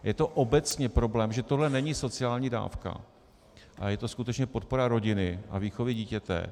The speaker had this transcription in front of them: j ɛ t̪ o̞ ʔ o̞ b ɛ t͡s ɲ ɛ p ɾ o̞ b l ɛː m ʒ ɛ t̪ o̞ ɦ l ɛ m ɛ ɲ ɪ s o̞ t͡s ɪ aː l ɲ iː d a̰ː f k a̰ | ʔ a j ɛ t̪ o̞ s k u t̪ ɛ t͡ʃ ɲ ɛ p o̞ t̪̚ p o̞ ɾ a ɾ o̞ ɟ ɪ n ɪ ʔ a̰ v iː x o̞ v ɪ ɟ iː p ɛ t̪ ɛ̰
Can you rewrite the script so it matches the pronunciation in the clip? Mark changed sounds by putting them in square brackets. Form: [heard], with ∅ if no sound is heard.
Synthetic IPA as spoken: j ɛ t̪ o̞ ʔ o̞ b ɛ t͡s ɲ ɛ p ɾ o̞ b l ɛː m ʒ ɛ t̪ o̞ ɦ l ɛ [n] ɛ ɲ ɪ s o̞ t͡s ɪ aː l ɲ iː d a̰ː f k a̰ | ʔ a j ɛ t̪ o̞ s k u t̪ ɛ t͡ʃ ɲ ɛ p o̞ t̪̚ p o̞ ɾ a ɾ o̞ ɟ ɪ n ɪ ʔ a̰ v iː x o̞ v ɪ ɟ iː [c] ɛ t̪ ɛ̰